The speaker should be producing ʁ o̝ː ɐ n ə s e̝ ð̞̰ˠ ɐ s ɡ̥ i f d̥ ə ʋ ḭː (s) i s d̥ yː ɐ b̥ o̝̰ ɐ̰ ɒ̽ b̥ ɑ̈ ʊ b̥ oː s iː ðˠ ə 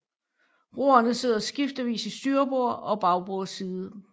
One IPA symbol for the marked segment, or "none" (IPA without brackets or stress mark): s